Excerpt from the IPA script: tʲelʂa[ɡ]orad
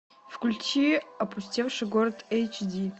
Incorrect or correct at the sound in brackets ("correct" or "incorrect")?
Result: correct